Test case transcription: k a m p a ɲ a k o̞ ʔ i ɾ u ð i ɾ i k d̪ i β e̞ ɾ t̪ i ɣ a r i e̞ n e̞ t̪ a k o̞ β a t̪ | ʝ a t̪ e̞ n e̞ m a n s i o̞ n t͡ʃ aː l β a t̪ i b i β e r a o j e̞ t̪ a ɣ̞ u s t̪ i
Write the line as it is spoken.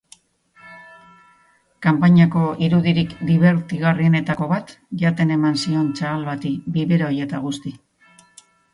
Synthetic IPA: k a m p a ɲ a k o̞ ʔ i ɾ u ð i ɾ i k d̪ i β e̞ ɾ t̪ i ɣ a r i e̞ n e̞ t̪ a k o̞ β a t̪ | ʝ a t̪ e̞ n e̞ m a n s i o̞ n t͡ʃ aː l β a t̪ i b i β e ɾ a o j e̞ t̪ a ɣ̞ u s t̪ i